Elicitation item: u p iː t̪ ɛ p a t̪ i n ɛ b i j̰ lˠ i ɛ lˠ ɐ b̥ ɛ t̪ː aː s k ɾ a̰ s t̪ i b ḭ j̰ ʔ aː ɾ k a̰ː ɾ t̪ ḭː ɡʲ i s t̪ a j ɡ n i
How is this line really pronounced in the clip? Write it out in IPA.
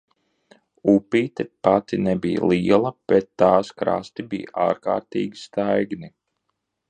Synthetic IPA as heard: u p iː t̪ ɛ p a t̪ i n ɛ b i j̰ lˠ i ɛ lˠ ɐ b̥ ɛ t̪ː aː s k ɾ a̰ s t̪ i b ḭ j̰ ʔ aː ɾ k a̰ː ɾ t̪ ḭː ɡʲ i s t̪ a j ɡ n i